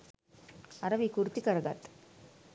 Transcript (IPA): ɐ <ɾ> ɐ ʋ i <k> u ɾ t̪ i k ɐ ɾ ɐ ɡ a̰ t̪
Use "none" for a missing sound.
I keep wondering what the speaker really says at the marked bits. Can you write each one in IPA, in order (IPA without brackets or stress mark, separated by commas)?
ɾ, k